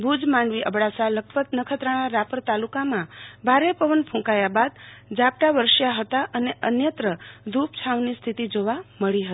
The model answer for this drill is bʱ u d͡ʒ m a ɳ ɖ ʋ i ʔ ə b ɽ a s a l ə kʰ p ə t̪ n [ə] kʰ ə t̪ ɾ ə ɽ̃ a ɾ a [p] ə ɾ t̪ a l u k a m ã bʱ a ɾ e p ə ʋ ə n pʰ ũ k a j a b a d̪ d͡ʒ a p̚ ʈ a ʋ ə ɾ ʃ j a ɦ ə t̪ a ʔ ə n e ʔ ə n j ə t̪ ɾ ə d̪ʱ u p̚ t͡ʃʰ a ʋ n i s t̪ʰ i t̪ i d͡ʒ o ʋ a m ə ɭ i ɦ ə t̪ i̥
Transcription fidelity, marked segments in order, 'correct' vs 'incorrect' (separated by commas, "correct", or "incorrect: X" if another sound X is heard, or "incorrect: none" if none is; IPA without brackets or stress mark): correct, correct